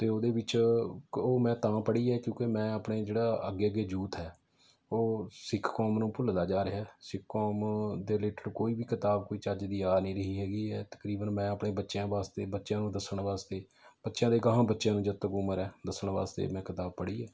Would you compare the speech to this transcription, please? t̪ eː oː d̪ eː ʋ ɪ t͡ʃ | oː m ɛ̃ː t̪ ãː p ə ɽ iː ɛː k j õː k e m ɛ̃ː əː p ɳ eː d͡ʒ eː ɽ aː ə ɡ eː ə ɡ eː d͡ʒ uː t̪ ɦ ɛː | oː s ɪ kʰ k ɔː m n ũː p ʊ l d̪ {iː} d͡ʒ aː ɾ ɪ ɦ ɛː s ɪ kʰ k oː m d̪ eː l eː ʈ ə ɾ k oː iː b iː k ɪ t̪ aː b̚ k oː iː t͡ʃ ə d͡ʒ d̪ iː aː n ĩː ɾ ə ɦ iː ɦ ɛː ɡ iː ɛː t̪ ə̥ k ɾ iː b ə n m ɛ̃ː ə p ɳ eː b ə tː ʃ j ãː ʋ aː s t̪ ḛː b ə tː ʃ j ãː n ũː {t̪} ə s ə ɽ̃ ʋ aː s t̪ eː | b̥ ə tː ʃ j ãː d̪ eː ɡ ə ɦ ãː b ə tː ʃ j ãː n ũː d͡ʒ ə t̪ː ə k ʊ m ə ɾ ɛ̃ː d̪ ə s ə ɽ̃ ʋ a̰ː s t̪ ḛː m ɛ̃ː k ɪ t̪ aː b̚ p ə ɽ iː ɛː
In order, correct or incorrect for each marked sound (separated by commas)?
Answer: incorrect, incorrect